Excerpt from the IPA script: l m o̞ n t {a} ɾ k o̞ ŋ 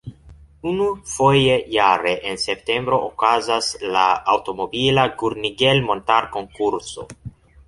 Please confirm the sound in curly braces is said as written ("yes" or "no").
yes